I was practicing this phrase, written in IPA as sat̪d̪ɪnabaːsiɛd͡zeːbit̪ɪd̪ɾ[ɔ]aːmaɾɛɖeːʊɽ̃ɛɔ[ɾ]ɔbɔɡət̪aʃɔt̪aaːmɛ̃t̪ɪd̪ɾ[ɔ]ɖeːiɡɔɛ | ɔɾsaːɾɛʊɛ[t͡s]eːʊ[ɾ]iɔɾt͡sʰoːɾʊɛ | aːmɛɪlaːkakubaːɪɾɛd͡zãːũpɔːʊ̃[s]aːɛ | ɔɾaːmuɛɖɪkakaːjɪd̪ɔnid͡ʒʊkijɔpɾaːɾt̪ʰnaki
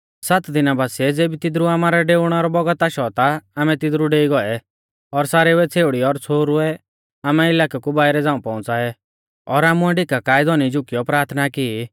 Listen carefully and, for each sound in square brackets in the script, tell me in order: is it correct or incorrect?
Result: incorrect: u, correct, incorrect: u, incorrect: t͡sʰ, incorrect: ɽ, incorrect: t͡s

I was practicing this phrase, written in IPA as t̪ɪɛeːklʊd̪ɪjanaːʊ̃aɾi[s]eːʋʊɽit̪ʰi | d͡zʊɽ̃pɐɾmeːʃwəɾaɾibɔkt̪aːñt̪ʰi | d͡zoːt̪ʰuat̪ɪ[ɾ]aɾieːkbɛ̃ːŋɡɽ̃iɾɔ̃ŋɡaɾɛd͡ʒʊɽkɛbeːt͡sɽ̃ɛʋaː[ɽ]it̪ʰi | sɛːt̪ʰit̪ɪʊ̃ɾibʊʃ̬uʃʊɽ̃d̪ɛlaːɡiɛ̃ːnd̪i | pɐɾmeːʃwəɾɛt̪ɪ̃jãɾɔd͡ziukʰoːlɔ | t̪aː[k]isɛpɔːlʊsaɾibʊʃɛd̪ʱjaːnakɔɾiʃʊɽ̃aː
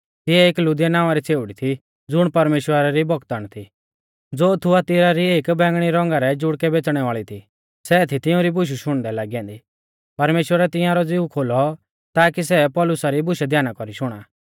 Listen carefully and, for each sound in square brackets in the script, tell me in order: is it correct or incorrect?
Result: incorrect: t͡s, correct, incorrect: ɭ, correct

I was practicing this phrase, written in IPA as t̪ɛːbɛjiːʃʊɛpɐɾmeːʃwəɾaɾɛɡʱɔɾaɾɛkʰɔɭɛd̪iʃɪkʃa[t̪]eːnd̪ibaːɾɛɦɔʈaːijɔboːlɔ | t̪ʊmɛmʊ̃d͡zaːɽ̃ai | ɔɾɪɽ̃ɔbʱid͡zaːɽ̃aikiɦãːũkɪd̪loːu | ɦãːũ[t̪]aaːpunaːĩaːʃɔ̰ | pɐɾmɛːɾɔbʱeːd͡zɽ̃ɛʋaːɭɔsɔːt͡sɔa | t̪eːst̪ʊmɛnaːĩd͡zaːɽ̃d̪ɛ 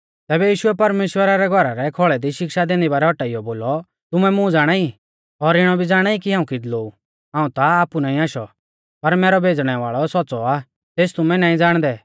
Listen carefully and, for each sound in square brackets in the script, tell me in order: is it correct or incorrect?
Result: incorrect: d̪, correct

